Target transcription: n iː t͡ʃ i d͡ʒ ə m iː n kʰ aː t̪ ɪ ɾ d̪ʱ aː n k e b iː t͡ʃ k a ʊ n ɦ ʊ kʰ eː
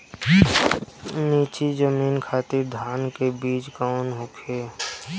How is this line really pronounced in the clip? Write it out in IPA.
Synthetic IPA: n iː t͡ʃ i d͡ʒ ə m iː n kʰ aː t̪ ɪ ɾ d̪ʱ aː n k e b iː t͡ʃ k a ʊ n ɦ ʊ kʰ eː